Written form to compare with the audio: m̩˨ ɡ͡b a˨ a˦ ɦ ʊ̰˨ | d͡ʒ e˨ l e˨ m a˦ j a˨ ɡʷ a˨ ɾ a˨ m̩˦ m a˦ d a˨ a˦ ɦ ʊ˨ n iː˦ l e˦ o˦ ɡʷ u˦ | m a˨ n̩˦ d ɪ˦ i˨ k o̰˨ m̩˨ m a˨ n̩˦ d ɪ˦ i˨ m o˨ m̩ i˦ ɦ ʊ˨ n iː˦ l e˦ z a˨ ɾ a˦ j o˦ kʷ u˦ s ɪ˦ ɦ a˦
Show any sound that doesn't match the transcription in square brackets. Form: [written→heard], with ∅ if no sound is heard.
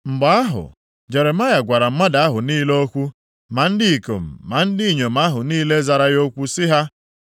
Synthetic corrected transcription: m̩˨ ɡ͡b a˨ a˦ ɦ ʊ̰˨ | d͡ʒ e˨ [l→ɾ] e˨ m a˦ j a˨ ɡʷ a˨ ɾ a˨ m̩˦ m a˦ d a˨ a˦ ɦ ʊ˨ n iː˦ l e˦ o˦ [ɡʷ→kʷ] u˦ | m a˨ n̩˦ d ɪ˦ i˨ k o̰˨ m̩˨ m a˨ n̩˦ d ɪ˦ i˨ [m→ɲ] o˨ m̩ [i˦→a˦] ɦ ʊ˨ n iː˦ l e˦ z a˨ ɾ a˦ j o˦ kʷ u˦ s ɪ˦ ɦ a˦

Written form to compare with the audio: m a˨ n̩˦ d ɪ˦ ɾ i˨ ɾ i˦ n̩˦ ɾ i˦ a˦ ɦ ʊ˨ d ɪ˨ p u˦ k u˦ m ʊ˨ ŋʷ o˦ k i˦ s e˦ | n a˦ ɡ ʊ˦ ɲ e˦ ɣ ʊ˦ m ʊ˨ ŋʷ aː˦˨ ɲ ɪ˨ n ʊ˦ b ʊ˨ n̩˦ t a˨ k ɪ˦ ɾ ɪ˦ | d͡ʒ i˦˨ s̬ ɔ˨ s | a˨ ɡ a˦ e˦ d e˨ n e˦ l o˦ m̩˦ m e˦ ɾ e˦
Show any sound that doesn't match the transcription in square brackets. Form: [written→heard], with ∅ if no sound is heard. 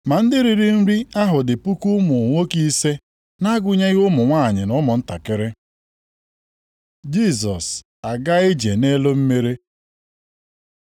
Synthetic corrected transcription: m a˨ n̩˦ d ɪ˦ ɾ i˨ ɾ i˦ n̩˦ ɾ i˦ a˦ ɦ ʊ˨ d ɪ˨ p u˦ k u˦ m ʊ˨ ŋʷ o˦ k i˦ s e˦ | n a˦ ɡ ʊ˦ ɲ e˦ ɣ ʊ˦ m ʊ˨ ŋʷ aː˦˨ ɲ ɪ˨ n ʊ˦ [b→m] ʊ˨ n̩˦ t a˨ k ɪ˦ ɾ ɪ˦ | d͡ʒ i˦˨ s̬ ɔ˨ s | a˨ ɡ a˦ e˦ [d→d͡ʒ] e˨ n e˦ l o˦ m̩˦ m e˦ ɾ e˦

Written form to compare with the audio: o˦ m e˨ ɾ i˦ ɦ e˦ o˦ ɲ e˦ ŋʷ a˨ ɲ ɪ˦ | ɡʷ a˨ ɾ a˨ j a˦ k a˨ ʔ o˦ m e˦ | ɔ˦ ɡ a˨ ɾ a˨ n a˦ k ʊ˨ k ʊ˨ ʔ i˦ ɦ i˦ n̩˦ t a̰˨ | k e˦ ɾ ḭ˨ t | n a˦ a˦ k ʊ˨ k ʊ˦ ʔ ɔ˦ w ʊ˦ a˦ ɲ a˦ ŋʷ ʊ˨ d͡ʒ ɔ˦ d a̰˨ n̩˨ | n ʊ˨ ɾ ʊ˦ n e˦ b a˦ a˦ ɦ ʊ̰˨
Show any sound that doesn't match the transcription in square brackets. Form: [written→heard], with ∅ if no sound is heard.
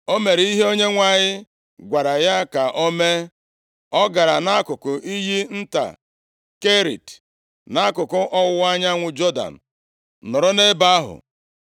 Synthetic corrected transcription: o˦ m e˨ ɾ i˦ ɦ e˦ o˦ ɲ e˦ ŋʷ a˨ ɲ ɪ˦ | ɡʷ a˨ ɾ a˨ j a˦ k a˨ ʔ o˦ m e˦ | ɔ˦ ɡ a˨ ɾ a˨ n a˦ k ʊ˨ k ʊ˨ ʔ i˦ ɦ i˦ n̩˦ t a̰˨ | k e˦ ɾ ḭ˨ t | n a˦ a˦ k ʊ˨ k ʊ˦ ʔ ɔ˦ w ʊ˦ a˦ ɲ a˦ ŋʷ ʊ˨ d͡ʒ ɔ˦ d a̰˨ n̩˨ | n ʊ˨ ɾ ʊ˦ n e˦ b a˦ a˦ ɦ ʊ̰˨

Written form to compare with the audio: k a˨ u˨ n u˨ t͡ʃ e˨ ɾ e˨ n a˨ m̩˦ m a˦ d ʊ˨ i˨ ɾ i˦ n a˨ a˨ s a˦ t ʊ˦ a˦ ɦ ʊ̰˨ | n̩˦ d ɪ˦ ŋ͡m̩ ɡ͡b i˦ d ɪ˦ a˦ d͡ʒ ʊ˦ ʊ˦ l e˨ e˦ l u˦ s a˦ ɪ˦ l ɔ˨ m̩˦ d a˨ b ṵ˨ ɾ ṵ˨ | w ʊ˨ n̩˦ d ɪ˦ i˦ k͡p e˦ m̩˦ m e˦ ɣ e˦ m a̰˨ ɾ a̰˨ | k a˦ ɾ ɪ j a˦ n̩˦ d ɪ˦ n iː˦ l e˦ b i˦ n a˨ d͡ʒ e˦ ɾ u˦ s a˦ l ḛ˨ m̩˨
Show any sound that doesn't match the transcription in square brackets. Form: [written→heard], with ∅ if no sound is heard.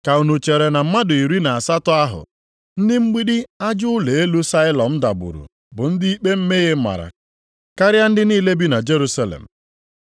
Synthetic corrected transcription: k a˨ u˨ n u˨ t͡ʃ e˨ ɾ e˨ n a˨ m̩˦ m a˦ d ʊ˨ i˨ ɾ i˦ n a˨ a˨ s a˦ t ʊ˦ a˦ ɦ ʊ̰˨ | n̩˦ d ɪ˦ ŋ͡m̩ ɡ͡b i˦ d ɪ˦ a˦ d͡ʒ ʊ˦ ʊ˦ l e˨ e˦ l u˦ s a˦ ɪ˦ l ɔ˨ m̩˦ d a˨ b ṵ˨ ɾ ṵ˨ | [w→b] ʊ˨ n̩˦ d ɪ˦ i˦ k͡p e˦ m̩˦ m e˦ ɣ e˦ m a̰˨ ɾ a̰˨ | k a˦ ɾ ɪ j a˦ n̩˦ d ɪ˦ n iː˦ l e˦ b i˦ n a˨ d͡ʒ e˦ ɾ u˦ s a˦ l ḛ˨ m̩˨

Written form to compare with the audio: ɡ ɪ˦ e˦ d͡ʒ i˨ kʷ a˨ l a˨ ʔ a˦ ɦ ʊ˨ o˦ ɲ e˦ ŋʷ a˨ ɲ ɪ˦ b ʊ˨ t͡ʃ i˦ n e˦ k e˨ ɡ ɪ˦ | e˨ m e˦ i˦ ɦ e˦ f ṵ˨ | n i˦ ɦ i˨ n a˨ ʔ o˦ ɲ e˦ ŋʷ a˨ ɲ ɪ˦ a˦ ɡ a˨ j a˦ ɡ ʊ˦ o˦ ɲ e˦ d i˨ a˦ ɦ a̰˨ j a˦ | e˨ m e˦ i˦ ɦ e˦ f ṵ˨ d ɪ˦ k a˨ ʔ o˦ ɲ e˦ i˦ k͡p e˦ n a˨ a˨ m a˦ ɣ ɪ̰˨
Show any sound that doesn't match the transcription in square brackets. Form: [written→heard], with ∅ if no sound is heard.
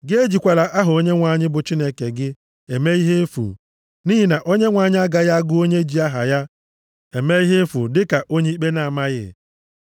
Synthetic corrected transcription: ɡ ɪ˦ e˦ d͡ʒ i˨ kʷ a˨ l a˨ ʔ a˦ ɦ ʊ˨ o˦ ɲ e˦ ŋʷ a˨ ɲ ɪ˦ b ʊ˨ t͡ʃ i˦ n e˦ k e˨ ɡ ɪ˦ | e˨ m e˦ i˦ ɦ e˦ f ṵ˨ | n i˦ ɦ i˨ n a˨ ʔ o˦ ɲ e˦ ŋʷ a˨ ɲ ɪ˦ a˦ ɡ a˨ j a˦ ɡ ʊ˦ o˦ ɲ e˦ [d→d͡ʒ] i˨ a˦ ɦ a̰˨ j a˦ | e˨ m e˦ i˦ ɦ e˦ f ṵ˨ d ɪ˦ k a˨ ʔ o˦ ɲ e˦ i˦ k͡p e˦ n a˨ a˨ m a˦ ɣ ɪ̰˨

